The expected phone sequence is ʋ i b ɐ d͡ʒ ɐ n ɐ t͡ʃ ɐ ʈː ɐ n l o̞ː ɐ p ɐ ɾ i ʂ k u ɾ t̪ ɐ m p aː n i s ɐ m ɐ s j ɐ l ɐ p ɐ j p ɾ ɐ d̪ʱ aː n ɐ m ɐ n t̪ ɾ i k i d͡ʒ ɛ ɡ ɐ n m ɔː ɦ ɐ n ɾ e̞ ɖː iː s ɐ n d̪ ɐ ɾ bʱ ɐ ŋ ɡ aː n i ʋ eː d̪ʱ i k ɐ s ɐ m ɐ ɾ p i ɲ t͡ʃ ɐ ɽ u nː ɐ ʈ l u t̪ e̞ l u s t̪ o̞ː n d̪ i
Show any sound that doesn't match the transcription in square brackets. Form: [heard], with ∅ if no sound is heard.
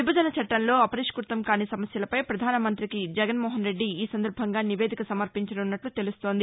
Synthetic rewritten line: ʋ i b ɐ d͡ʒ ɐ n ɐ t͡ʃ ɐ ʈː ɐ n l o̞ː ɐ p ɐ ɾ i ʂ k u ɾ t̪ ɐ m [k] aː n i s ɐ m ɐ s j ɐ l ɐ p ɐ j p ɾ ɐ d̪ʱ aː n ɐ m ɐ n t̪ ɾ i k i d͡ʒ ɛ ɡ ɐ n m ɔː ɦ ɐ n ɾ e̞ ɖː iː s ɐ n d̪ ɐ ɾ bʱ ɐ ŋ ɡ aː n i ʋ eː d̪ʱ i k ɐ s ɐ m ɐ ɾ p i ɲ t͡ʃ ɐ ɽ u nː ɐ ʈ l u t̪ e̞ l u s t̪ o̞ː n d̪ i